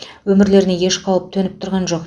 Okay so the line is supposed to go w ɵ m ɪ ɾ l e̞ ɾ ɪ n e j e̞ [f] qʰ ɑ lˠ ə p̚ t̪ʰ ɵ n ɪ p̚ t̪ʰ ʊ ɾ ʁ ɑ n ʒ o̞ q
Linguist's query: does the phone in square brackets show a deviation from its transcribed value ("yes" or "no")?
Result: yes